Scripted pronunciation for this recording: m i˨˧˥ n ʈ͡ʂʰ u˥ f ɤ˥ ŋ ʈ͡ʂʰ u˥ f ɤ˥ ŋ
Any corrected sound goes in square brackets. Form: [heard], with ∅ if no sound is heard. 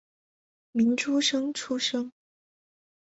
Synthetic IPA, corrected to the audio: m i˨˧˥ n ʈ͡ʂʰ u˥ [ʂ] ɤ˥ ŋ ʈ͡ʂʰ u˥ [ʂ] ɤ˥ ŋ